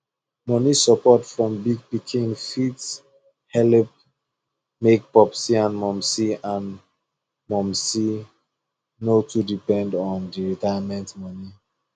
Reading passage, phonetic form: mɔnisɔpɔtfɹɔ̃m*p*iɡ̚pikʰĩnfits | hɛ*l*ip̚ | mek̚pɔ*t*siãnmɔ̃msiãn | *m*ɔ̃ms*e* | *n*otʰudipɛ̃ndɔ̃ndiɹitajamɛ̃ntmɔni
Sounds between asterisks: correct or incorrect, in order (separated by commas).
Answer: incorrect, correct, incorrect, correct, incorrect, correct